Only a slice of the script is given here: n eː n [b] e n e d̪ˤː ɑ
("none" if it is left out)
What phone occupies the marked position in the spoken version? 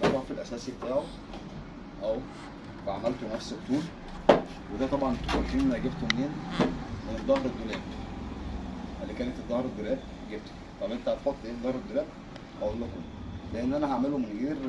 m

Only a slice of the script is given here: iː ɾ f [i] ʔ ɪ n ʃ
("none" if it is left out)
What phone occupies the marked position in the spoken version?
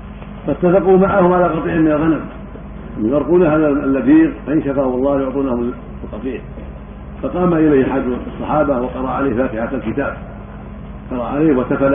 a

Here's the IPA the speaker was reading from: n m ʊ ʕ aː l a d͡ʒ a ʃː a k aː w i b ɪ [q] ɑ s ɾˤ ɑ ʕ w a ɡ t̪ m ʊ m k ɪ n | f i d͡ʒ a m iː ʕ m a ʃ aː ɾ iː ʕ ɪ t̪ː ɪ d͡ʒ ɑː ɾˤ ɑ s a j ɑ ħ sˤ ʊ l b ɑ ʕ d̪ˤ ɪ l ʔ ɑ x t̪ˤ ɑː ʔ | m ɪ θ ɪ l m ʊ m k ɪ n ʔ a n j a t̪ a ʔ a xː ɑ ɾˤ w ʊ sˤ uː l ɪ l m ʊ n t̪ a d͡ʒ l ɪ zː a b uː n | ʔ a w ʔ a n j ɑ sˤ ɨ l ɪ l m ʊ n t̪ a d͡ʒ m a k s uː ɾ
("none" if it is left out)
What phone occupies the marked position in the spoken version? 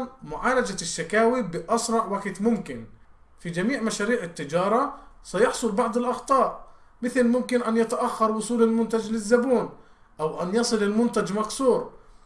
ʔ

